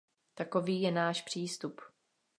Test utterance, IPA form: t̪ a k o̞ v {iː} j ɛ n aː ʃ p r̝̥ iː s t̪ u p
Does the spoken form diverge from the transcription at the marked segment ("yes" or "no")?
no